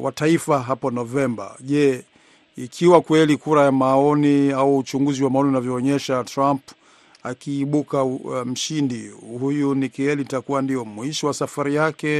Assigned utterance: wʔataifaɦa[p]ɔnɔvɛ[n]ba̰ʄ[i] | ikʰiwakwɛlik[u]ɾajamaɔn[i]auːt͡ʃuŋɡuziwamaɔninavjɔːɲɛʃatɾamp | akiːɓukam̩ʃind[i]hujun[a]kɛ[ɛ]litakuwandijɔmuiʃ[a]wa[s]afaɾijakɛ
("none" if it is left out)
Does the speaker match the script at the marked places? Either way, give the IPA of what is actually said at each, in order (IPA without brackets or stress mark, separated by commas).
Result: p, m, ɛ, u, i, i, i, ɛ, i, s